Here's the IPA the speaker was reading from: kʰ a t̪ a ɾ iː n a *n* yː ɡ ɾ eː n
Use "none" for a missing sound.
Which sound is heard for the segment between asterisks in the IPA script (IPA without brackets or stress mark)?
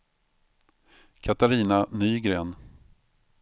n